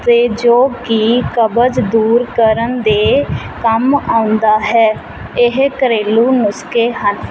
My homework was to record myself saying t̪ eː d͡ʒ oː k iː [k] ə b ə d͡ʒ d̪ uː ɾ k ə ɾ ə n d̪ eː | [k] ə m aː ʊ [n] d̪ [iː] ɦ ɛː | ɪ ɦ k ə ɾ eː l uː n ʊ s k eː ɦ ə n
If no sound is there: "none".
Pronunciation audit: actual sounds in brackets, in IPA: k, k, n, aː

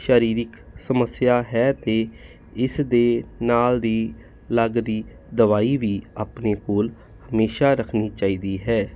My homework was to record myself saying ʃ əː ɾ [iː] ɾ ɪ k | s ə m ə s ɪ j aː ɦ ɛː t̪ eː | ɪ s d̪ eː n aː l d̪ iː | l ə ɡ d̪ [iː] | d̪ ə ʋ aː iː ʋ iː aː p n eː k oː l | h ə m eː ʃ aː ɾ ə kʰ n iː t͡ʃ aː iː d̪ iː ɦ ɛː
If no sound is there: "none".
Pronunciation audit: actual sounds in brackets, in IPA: iː, iː

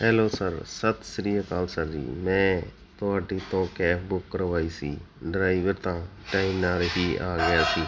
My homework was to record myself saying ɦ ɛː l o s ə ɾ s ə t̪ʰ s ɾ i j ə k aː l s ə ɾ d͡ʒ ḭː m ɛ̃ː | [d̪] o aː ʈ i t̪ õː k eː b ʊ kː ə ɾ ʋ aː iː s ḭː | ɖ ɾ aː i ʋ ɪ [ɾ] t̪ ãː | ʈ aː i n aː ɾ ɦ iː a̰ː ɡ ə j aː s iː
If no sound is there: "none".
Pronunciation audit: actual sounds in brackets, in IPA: t̪, ɾ

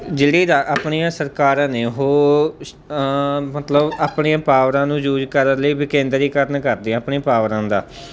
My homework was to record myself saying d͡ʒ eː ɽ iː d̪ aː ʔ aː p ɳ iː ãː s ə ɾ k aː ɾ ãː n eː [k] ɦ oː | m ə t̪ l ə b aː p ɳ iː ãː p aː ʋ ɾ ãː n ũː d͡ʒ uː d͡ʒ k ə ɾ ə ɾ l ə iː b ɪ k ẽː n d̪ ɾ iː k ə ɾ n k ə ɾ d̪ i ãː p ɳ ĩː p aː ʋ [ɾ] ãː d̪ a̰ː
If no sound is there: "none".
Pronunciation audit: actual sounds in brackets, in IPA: none, ɾ

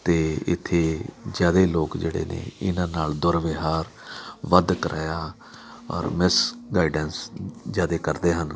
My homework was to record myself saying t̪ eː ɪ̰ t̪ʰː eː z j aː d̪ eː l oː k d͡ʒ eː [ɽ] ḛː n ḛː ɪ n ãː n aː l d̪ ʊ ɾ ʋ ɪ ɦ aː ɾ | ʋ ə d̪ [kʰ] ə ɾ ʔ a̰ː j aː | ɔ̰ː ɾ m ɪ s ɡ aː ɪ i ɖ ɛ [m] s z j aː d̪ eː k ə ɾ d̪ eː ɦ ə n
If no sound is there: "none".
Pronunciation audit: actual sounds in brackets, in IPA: ɽ, k, n

